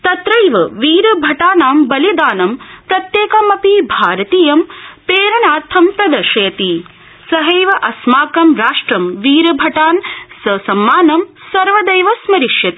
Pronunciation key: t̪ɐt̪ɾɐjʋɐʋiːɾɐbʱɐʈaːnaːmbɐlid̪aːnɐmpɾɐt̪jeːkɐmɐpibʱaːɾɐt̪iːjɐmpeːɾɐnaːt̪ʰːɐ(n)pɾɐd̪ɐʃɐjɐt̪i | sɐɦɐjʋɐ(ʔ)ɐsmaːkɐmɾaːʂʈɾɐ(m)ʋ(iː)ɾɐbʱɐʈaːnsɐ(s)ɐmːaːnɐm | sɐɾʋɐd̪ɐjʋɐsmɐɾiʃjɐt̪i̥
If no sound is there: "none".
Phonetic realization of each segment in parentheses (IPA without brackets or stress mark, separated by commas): m, ʔ, m, iː, s